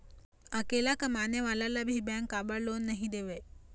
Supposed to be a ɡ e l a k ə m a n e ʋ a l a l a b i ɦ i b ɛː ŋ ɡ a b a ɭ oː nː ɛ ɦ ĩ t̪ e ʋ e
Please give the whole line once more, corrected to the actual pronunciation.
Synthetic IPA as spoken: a k e l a k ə m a n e ʋ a l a l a b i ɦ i b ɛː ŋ k a b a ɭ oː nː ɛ ɦ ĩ d̪ e ʋ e